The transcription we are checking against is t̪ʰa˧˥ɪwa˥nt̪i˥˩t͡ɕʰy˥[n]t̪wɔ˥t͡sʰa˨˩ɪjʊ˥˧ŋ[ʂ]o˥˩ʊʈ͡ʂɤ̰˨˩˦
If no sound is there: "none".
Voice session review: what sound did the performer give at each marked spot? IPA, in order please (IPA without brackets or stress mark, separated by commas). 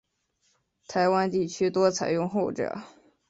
none, x